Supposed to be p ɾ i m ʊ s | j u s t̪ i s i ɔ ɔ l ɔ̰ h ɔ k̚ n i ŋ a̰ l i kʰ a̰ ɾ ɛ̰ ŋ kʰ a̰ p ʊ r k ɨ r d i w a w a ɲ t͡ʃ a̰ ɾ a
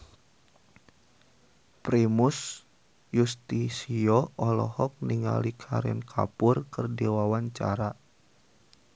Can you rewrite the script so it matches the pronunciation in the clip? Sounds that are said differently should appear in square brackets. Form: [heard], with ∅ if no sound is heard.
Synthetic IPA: p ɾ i m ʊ s | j u s t̪ i s i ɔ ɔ l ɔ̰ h ɔ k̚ n i ŋ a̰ l i kʰ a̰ ɾ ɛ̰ [n] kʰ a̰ p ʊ r k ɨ r d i w a w a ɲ t͡ʃ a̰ ɾ a